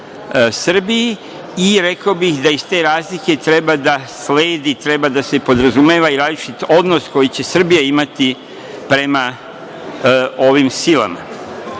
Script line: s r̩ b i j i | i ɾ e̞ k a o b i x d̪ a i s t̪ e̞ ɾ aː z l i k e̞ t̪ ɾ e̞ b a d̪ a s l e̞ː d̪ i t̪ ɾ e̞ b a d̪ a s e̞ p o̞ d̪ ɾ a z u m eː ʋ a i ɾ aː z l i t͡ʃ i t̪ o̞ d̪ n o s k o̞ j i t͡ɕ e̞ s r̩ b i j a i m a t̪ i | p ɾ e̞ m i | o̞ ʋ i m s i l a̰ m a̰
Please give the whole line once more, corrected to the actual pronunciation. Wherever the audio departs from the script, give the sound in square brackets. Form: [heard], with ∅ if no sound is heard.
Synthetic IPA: s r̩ b i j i | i ɾ e̞ k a o b i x d̪ a i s t̪ e̞ ɾ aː z l i k e̞ t̪ ɾ e̞ b a d̪ a s l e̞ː d̪ i t̪ ɾ e̞ b a d̪ a s e̞ p o̞ d̪ ɾ a z u m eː ʋ a i ɾ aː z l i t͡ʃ i t̪ o̞ d̪ n o s k o̞ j i t͡ɕ e̞ s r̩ b i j a i m a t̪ i | p ɾ e̞ m [a] | o̞ ʋ i m s i l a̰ m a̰

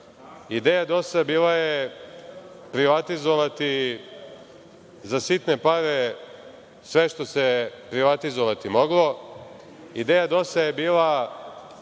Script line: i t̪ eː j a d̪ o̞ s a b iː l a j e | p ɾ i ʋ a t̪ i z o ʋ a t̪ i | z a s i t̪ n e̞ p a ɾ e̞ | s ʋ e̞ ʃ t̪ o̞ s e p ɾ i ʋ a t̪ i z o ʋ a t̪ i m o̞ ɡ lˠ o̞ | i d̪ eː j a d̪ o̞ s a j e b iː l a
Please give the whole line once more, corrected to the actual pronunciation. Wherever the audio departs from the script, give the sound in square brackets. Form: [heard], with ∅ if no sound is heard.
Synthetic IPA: i [d̪] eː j a d̪ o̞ s a b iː l a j e | p ɾ i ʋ a t̪ i z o ʋ a t̪ i | z a s i t̪ n e̞ p a ɾ e̞ | s ʋ e̞ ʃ t̪ o̞ s e p ɾ i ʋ a t̪ i z o ʋ a t̪ i m o̞ ɡ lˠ o̞ | i d̪ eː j a d̪ o̞ s a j e b iː l a

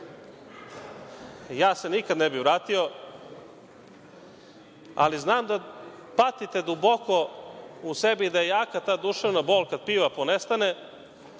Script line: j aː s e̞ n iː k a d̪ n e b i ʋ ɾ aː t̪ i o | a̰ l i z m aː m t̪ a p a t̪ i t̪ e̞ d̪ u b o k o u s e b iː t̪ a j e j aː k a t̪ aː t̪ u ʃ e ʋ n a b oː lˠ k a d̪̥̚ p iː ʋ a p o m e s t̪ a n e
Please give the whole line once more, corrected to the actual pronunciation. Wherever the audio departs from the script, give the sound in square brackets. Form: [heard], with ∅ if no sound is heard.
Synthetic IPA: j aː s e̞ n [i] k a d̪ n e b i ʋ ɾ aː t̪ i o | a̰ l i z [n] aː m [d̪] a p a t̪ i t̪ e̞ d̪ u b o k o u s e b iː [d̪] a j e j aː k a t̪ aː [d̪] u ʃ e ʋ n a b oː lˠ k a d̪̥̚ p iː ʋ a p o [n] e s t̪ a n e

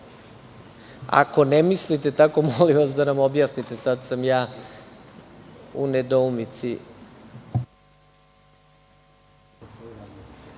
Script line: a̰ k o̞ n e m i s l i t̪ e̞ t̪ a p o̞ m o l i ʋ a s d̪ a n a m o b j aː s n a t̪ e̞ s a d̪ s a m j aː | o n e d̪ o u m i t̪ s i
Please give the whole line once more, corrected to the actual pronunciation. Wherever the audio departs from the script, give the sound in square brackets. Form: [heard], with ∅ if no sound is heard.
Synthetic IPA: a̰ k o̞ n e m i s l i t̪ e̞ t̪ a [k] o̞ m o l i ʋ a s d̪ a n a m o b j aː s n [i] t̪ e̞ s a d̪ s a m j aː | [u] n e d̪ o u m i t̪ s i

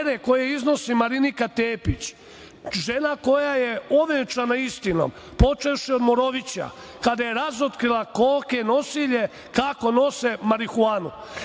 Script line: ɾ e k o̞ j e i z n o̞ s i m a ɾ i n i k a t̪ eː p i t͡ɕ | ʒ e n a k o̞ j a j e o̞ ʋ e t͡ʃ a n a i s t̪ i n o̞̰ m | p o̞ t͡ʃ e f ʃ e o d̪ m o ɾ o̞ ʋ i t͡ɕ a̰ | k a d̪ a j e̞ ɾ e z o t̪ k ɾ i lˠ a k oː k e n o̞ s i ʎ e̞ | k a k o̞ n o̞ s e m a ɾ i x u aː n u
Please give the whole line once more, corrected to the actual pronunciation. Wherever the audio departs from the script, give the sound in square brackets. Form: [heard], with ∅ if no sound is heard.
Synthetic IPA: ɾ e k o̞ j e i z n o̞ s i m a ɾ i n i k a t̪ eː p i t͡ɕ | ʒ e n a k o̞ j a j e o̞ ʋ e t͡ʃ a n a i s t̪ i n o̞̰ m | p o̞ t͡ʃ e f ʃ [i] o d̪ m o ɾ o̞ ʋ i t͡ɕ a̰ | k a d̪ a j e̞ ɾ [a] z o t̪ k ɾ i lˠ a k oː k e n o̞ s i ʎ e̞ | k a k o̞ n o̞ s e m a ɾ i x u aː n u

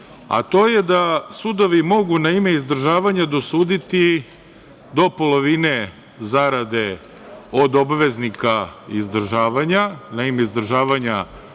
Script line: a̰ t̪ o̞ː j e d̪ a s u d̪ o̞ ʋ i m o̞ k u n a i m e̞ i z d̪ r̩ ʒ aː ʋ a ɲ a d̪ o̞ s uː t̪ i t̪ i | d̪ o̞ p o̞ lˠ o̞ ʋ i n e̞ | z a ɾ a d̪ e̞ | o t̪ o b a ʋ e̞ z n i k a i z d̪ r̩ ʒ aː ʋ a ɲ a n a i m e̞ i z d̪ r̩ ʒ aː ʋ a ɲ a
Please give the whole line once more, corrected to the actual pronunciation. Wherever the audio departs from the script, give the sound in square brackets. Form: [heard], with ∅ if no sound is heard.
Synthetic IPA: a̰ t̪ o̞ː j e d̪ a s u d̪ o̞ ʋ i m o̞ [ɡ] u n a i m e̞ i z d̪ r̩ ʒ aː ʋ a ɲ a d̪ o̞ s uː [d̪] i t̪ i | d̪ o̞ p o̞ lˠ o̞ ʋ i n e̞ | z a ɾ a d̪ e̞ | o [d̪] o b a ʋ e̞ z n i k a i z d̪ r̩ ʒ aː ʋ a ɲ a n a i m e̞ i z d̪ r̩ ʒ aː ʋ a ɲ a

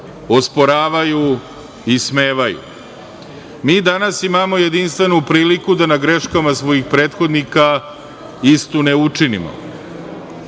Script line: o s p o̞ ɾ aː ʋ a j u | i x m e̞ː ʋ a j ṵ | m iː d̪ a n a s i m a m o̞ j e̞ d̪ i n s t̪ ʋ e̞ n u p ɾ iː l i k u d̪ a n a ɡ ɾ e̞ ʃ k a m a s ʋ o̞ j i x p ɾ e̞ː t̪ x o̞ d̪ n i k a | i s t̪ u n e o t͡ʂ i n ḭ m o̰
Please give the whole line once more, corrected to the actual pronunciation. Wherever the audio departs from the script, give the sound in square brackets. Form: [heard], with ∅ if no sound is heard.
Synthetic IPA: o s p o̞ ɾ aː ʋ a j u | i [s] m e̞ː ʋ a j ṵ | m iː d̪ a n a s i m a m o̞ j e̞ d̪ i n s t̪ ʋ e̞ n u p ɾ iː l i k u d̪ a n a ɡ ɾ e̞ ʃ k a m a s ʋ o̞ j i x p ɾ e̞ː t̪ x o̞ d̪ n i k a | i s t̪ u n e [u] t͡ʂ i n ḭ m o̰

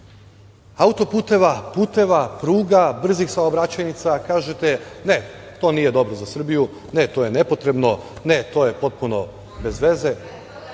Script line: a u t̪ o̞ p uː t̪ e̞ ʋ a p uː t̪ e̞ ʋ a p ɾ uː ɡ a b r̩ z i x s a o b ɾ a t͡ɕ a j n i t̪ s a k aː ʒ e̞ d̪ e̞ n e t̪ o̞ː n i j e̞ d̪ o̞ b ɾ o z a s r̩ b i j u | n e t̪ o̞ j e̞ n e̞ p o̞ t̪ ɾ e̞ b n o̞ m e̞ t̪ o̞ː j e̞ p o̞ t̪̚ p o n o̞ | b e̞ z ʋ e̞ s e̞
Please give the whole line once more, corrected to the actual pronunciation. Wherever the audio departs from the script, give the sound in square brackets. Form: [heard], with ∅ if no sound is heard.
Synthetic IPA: a u t̪ o̞ p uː t̪ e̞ ʋ a p uː t̪ e̞ ʋ a p ɾ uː ɡ a b r̩ z i x s a o b ɾ a t͡ɕ a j n i t̪ s a k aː ʒ e̞ [t̪] e̞ n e t̪ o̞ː n i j e̞ d̪ o̞ b ɾ o z a s r̩ b i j u | n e t̪ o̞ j e̞ n e̞ p o̞ t̪ ɾ e̞ b n o̞ [n] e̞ t̪ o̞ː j e̞ p o̞ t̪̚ p [u] n o̞ | b e̞ z ʋ e̞ [z] e̞

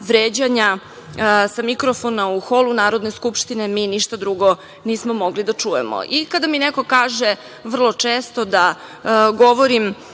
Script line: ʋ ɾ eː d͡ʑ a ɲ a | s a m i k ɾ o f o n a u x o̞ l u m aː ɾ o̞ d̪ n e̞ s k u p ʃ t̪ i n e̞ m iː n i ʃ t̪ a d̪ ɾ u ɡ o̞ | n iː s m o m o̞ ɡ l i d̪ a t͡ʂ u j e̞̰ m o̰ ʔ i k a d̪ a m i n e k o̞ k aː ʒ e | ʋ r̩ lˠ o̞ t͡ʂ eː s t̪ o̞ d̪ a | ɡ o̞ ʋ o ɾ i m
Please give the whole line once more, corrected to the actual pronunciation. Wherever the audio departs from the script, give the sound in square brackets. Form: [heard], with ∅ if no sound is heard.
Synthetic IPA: ʋ ɾ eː d͡ʑ a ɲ a | s a m i k ɾ o f o n a u x o̞ l u [n] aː ɾ o̞ d̪ n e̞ s k u p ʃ t̪ i n e̞ m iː n i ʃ t̪ a d̪ ɾ u ɡ o̞ | n iː s m o m o̞ ɡ l i d̪ a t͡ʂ u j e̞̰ m o̰ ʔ i k a d̪ a m i n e k o̞ k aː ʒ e | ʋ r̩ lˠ o̞ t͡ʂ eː s t̪ o̞ d̪ a | ɡ o̞ ʋ o ɾ i m

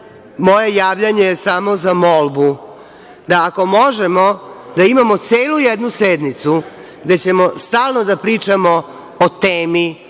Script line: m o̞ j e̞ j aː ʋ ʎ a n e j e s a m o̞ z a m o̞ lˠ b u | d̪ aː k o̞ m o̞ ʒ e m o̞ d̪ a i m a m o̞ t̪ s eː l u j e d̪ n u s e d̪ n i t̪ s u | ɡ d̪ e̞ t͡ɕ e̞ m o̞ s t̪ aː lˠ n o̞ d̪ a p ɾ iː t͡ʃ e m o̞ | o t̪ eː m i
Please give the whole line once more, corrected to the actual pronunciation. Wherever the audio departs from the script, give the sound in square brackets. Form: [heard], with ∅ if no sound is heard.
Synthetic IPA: m o̞ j e̞ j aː ʋ ʎ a [ɲ] e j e s a m o̞ z a m o̞ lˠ b u | d̪ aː k o̞ m o̞ ʒ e m o̞ d̪ a i m a m o̞ t̪ s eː l u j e d̪ n u s e d̪ n i t̪ s u | ɡ d̪ e̞ t͡ɕ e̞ m o̞ s t̪ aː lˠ n o̞ d̪ a p ɾ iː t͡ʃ [a] m o̞ | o t̪ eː m i

